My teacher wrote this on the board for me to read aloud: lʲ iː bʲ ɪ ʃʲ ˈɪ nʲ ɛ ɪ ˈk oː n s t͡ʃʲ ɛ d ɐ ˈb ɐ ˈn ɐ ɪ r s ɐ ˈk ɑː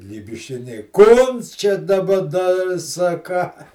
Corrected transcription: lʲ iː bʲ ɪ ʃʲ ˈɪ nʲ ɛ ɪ ˈk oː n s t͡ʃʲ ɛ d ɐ ˈb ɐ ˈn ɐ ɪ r s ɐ ˈk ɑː